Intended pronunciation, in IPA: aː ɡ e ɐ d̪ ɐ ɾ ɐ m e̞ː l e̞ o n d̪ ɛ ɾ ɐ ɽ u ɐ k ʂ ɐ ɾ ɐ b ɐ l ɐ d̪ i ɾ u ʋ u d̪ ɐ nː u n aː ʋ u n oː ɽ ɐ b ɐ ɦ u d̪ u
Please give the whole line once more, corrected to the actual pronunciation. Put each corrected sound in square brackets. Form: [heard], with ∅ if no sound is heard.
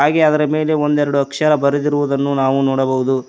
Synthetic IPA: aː ɡ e ɐ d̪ ɐ ɾ ɐ m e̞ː l e̞ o n d̪ ɛ ɾ ɐ ɽ u ɐ k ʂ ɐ ɾ ɐ b ɐ [ɾ] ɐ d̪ i ɾ u ʋ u d̪ ɐ nː u n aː ʋ u n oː ɽ ɐ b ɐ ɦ u d̪ u

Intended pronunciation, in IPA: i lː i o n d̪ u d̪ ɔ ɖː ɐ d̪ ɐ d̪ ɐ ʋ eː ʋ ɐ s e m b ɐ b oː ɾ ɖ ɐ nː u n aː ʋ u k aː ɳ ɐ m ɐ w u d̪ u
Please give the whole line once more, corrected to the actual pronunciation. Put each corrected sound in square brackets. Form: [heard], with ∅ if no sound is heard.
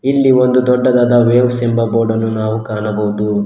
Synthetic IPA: i lː i o n d̪ u d̪ ɔ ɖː ɐ d̪ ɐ d̪ ɐ ʋ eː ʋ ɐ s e m b ɐ b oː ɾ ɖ ɐ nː u n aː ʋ u k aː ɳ ɐ [b] ɐ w u d̪ u

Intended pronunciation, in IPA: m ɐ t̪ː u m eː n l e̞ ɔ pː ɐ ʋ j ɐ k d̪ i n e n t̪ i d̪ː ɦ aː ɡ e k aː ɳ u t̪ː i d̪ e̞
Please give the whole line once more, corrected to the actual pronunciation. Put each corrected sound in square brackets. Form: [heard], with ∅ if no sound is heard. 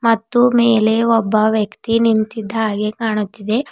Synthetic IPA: m ɐ t̪ː u m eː [∅] l e̞ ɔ [bː] ɐ ʋ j ɐ k [t̪] i n [i] n t̪ i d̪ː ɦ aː ɡ e k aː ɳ u t̪ː i d̪ e̞

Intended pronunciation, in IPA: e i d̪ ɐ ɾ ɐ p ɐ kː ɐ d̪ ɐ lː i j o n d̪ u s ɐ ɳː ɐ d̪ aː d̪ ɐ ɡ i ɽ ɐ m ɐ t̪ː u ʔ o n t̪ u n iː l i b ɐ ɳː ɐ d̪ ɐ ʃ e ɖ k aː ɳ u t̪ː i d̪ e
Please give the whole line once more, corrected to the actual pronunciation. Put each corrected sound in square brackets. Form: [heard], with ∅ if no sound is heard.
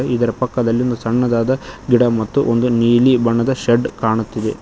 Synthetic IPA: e i d̪ ɐ ɾ ɐ p ɐ kː ɐ d̪ ɐ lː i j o n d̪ u s ɐ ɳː ɐ d̪ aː d̪ ɐ ɡ i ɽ ɐ m ɐ t̪ː u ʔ o n [d̪] u n iː l i b ɐ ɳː ɐ d̪ ɐ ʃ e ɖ k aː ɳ u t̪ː i d̪ e

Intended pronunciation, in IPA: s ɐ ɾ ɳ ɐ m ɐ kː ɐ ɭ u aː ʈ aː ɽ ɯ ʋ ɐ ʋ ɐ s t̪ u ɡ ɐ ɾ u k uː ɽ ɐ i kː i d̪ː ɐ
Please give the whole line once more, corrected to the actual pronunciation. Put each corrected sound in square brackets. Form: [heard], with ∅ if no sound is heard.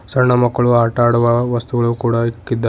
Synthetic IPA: s ɐ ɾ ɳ ɐ m ɐ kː ɐ ɭ u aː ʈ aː ɽ [u] ʋ ɐ ʋ ɐ s t̪ u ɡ ɐ [ɭ] u k uː ɽ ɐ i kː i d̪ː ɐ

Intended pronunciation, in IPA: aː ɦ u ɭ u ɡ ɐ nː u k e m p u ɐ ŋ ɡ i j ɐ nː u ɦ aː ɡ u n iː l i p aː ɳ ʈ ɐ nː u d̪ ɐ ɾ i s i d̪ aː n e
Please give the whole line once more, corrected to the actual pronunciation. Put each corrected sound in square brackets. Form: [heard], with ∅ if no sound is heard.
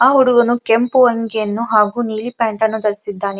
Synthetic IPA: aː ɦ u [ɽ] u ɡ ɐ [n] u k e m p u ɐ ŋ ɡ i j ɐ nː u ɦ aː ɡ u n iː l i p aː ɳ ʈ ɐ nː u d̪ ɐ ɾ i s i [d̪ː] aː n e

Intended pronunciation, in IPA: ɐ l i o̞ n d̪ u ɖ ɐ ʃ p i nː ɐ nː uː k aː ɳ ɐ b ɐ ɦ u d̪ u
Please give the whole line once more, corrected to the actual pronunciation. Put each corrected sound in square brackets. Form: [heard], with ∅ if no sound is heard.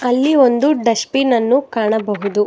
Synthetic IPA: ɐ [lː] i o̞ n d̪ u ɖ ɐ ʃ p i [n] ɐ nː [u] k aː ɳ ɐ b ɐ ɦ u d̪ u

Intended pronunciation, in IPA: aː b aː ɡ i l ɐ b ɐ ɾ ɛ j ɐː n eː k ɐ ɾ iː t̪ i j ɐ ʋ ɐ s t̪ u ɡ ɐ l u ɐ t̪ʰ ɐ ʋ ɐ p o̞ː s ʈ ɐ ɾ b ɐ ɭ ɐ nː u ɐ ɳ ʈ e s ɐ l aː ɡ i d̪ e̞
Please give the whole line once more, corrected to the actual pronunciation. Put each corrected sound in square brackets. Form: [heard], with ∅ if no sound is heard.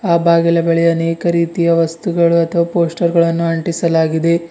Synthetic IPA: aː b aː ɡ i l ɐ b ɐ [ɭ] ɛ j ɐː n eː k ɐ ɾ iː t̪ i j ɐ ʋ ɐ s t̪ u ɡ ɐ [ɭ] u ɐ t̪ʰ ɐ ʋ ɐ p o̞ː s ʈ ɐ ɾ [ɡ] ɐ ɭ ɐ nː u ɐ ɳ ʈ [i] s ɐ l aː ɡ i d̪ e̞

